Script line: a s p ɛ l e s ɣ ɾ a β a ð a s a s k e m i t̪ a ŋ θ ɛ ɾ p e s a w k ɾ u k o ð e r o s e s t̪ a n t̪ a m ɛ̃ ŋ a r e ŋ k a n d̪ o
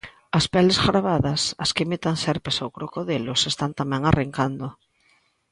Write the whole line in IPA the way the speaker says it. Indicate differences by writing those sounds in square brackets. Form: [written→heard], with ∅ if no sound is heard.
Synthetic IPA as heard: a s p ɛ l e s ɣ ɾ a β a ð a s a s k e m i t̪ a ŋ [θ→s] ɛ ɾ p e s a w k ɾ [u→o] k o ð e [r→l] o s e s t̪ a n t̪ a m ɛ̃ ŋ a r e ŋ k a n d̪ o

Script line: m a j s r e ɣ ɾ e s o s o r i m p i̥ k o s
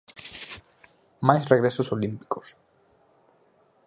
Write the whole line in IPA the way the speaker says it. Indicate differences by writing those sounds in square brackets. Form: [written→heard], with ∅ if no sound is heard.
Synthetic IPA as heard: m a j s r e ɣ ɾ e s o s o [r→l] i m p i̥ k o s

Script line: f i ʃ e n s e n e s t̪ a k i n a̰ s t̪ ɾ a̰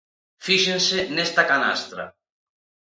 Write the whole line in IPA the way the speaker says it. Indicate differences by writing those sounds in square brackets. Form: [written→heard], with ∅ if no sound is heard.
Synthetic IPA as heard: f i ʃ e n s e n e s t̪ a k [i→a] n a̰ s t̪ ɾ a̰

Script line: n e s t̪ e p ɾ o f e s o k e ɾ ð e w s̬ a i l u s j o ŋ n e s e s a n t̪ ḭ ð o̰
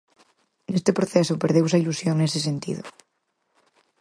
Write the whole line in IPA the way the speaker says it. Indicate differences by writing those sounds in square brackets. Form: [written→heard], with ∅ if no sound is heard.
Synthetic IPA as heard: n e s t̪ e p ɾ o [f→θ] e s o [k→p] e ɾ ð e w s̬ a i l u s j o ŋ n e s e s [a→e] n t̪ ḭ ð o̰

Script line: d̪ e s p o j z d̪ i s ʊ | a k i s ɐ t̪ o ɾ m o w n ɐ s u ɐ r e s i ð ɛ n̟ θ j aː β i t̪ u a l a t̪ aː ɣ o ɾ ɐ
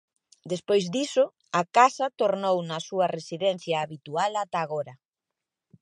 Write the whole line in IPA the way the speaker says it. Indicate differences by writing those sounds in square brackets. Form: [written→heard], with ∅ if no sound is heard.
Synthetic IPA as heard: d̪ e s p o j z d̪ i s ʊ | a k [i→a] s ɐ t̪ o ɾ [m→n] o w n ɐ s u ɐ r e s i ð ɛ n̟ θ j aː β i t̪ u a l a t̪ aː ɣ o ɾ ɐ

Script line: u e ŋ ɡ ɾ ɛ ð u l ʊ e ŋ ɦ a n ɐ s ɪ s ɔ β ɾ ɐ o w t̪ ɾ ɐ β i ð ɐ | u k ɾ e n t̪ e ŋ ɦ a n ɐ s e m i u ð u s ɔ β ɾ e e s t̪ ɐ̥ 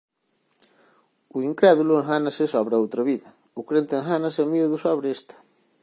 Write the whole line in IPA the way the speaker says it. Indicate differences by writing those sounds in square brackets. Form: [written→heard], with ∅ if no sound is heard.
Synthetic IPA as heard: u [e→i] ŋ [ɡ→k] ɾ ɛ ð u l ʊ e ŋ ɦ a n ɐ s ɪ s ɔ β ɾ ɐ o w t̪ ɾ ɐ β i ð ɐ | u k ɾ e n t̪ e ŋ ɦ a n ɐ s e m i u ð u s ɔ β ɾ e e s t̪ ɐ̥

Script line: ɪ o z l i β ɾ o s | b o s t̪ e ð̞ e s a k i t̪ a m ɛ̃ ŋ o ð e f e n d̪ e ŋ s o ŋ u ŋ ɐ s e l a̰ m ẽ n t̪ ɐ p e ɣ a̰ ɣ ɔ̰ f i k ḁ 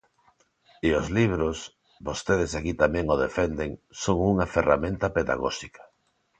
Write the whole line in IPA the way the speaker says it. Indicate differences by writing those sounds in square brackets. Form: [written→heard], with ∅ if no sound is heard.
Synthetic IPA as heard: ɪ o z l i β ɾ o s | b o s t̪ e ð̞ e s a k i t̪ a m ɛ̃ ŋ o ð e f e n d̪ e ŋ s o ŋ u ŋ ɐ [s→f] e [l→r] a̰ m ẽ n t̪ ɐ p e [ɣ→ð] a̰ ɣ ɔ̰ [f→ʃ] i k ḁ

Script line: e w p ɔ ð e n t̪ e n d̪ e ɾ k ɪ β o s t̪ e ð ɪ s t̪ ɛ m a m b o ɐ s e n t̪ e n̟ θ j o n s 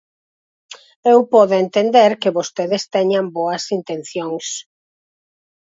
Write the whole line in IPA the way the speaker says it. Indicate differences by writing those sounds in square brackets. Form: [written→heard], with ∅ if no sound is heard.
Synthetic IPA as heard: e w p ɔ ð e n t̪ e n d̪ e ɾ k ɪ β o s t̪ e ð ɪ s t̪ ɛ [m→ɲ] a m b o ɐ s [e→i] n t̪ e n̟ θ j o [n→ŋ] s

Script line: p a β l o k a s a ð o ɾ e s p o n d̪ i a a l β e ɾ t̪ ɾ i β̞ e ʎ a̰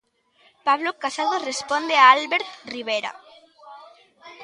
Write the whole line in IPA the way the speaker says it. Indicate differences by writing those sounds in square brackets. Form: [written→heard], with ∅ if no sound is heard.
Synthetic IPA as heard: p a β l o k a s a ð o [ɾ→r] e s p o n d̪ [i→e] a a l β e ɾ t̪ [ɾ→r] i β̞ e [ʎ→ɾ] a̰

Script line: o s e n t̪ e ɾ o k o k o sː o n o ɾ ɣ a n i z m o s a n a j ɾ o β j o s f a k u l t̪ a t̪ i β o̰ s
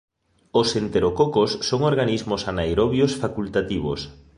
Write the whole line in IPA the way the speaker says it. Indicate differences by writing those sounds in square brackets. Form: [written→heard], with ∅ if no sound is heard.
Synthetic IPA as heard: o s e n t̪ e ɾ o k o k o sː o [n→ŋ] o ɾ ɣ a n i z m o s a n a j ɾ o β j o s f a k u l t̪ a t̪ i β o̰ s

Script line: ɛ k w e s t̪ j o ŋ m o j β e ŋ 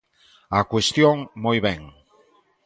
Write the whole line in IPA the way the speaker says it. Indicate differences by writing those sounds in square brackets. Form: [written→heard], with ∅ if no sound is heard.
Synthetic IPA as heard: [ɛ→a] k w e s t̪ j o ŋ m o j β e ŋ

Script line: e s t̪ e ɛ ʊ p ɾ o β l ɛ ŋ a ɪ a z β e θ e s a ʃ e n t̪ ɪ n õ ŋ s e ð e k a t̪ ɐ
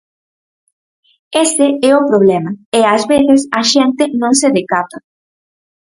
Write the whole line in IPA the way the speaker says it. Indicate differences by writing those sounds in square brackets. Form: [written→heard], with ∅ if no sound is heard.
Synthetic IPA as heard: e s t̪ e ɛ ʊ p ɾ o β l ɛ [ŋ→m] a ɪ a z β e θ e s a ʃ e n t̪ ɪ n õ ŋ s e ð e k a t̪ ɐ

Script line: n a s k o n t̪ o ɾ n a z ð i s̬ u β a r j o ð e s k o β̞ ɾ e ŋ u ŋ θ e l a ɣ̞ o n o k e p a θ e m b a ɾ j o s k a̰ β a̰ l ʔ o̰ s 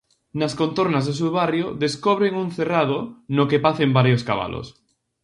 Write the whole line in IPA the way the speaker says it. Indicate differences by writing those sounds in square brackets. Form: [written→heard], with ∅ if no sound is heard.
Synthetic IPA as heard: n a s k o n t̪ o ɾ n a z ð [i→e] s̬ u β a r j o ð e s k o β̞ ɾ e ŋ u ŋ θ e [l→r] a [ɣ̞→ð̞] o n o k e p a θ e m b a ɾ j o s k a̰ β a̰ l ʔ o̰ s

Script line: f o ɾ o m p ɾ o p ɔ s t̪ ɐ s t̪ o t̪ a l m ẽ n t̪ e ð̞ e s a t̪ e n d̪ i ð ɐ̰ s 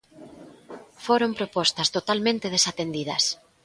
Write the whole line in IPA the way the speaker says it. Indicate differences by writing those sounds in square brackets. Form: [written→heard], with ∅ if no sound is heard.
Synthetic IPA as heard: f o ɾ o m p ɾ o p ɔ s t̪ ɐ s t̪ o t̪ a l m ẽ n t̪ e ð̞ e s a t̪ e n d̪ i ð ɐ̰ s

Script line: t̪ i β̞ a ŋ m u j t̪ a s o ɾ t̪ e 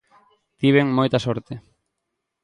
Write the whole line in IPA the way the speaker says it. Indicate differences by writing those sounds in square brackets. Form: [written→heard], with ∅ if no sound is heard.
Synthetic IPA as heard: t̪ i β̞ [a→e] ŋ m [u→o] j t̪ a s o ɾ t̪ e

